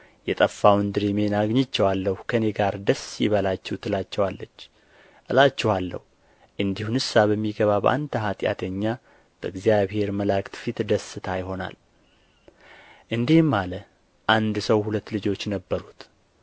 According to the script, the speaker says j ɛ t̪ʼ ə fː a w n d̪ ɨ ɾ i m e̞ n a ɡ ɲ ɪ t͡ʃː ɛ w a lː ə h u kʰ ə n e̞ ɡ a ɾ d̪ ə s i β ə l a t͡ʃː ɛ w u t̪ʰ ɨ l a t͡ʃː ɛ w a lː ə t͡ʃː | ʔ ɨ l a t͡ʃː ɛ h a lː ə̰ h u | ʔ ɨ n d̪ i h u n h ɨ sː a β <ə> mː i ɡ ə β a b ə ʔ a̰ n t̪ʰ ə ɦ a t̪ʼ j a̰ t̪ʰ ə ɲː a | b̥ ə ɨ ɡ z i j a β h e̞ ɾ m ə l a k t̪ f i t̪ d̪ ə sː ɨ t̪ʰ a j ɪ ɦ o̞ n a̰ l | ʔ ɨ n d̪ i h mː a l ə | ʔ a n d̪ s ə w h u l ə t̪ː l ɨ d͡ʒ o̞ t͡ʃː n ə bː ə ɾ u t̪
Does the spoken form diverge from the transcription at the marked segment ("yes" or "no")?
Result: no